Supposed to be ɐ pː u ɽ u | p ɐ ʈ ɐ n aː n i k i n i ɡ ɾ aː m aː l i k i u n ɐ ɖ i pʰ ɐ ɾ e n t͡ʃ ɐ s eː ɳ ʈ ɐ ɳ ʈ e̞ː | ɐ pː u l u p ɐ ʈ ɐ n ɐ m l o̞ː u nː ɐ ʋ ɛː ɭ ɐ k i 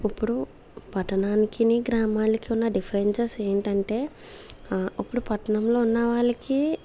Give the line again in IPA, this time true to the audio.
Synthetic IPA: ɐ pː u ɽ u | p ɐ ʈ ɐ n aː n i k i n i ɡ ɾ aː m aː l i k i u nː ɐ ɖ i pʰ ɐ ɾ e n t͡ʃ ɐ s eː ɳ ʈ ɐ ɳ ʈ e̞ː | ɐ pː u ɽ u p ɐ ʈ ɐ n ɐ m l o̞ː u nː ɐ ʋ aː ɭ ɐ k i